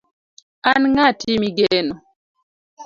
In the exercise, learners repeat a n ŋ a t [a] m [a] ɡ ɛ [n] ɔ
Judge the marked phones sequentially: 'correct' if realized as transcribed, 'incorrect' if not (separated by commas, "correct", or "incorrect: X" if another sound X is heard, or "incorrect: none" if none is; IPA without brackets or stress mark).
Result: incorrect: i, incorrect: i, correct